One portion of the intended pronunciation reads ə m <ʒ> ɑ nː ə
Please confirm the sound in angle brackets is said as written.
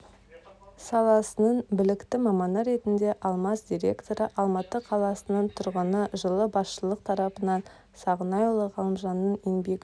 yes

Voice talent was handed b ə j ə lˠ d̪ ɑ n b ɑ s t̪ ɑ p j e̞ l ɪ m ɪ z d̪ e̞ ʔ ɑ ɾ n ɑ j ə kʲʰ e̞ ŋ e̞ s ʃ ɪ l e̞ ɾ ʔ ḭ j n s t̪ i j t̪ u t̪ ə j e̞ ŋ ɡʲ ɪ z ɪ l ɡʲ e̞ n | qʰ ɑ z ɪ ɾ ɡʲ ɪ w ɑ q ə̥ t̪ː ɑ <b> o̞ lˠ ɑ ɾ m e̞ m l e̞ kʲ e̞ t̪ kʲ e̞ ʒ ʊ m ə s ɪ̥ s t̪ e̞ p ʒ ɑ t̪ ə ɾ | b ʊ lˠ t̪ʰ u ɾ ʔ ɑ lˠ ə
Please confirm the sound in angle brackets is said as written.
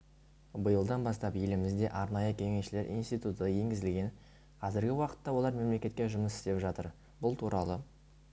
no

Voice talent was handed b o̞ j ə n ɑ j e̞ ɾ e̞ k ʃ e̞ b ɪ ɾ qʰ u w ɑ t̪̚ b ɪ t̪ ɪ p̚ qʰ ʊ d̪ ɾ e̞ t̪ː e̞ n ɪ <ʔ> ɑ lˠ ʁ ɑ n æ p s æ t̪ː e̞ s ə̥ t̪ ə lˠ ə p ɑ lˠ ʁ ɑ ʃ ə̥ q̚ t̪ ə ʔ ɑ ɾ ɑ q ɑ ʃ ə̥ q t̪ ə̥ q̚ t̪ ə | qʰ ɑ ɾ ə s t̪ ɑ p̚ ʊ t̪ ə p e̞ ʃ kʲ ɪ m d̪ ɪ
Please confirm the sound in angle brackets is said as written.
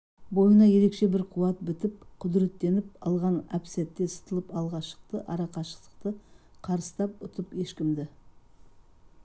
no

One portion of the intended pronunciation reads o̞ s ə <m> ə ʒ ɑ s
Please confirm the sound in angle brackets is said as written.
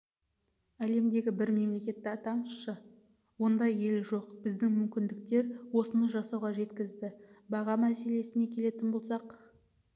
no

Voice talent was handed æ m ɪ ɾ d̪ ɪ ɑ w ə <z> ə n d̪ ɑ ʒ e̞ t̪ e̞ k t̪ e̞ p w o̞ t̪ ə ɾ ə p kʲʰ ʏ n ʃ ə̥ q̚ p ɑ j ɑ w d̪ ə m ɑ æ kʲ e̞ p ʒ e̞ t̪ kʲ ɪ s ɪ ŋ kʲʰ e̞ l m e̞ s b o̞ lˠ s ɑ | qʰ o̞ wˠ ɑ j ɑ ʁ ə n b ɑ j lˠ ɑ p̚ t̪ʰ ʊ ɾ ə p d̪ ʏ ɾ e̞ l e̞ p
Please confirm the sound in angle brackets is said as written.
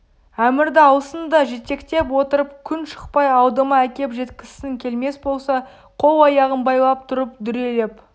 no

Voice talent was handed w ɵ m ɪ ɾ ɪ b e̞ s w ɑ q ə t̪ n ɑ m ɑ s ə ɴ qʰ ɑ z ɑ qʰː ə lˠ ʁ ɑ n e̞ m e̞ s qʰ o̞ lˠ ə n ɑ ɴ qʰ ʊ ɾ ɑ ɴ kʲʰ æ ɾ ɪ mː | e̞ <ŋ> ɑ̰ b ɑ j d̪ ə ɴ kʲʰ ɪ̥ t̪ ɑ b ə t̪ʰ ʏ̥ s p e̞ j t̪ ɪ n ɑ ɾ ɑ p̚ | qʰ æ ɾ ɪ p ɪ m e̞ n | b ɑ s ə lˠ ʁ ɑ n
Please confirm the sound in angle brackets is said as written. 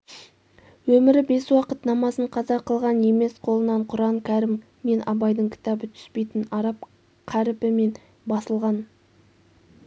no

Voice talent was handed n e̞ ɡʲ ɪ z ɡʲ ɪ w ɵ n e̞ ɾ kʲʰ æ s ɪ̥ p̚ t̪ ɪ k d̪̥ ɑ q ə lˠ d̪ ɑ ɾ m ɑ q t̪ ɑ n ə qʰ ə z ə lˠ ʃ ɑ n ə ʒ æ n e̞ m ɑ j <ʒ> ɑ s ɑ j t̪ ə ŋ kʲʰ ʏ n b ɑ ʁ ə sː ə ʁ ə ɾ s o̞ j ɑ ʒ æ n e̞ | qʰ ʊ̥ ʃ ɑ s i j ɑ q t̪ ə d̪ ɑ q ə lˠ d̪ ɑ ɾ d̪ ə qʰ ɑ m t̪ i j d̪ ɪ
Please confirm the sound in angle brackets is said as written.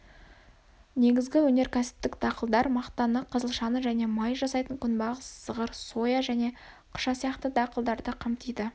yes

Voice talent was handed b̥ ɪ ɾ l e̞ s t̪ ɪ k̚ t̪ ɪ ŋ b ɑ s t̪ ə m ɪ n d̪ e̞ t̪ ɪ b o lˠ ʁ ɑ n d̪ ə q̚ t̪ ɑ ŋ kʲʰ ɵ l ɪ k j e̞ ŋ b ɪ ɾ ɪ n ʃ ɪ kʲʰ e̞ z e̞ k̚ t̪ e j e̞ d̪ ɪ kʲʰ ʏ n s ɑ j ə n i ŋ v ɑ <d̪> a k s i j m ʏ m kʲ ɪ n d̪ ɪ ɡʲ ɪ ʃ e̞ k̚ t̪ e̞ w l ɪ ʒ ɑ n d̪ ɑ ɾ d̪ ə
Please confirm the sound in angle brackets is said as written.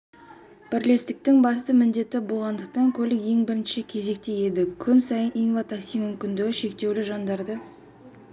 no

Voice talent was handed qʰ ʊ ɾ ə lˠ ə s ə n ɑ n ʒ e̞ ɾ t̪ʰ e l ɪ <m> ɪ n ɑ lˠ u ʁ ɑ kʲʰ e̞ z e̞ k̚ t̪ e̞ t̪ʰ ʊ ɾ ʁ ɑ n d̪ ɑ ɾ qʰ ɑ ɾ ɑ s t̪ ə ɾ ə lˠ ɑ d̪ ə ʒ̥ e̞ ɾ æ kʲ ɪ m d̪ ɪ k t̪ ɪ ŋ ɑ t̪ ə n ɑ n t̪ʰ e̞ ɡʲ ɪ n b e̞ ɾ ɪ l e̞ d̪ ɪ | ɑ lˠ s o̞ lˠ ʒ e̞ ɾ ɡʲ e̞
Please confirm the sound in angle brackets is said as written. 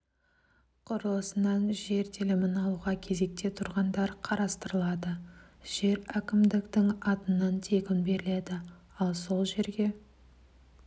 yes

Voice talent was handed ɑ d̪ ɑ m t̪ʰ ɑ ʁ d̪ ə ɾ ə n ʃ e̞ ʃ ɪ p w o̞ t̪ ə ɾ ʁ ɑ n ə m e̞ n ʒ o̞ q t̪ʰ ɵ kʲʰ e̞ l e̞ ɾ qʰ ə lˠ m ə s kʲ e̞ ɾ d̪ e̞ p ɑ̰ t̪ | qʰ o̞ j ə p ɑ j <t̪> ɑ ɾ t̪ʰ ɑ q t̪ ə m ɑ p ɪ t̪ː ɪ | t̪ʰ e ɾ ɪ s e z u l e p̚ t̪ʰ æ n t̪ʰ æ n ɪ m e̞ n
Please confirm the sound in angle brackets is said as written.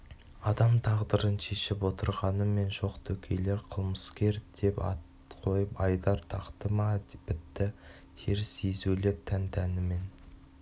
no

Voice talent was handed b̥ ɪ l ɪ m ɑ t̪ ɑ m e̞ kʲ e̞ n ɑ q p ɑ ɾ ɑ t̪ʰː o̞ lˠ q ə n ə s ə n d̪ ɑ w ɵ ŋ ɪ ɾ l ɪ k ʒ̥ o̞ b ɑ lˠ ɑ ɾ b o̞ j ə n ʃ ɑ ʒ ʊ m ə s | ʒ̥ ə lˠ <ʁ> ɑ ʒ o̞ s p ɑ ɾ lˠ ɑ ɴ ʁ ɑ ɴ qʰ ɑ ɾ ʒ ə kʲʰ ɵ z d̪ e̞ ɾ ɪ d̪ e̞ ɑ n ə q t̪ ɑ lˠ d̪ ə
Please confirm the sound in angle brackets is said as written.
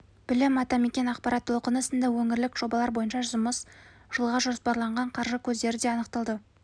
yes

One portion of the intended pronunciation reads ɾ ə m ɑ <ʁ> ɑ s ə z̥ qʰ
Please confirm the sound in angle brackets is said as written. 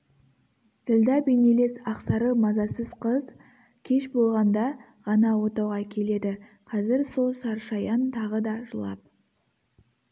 no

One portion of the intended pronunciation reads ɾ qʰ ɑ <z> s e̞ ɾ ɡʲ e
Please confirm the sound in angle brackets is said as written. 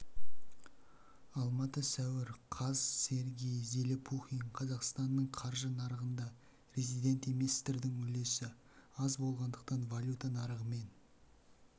yes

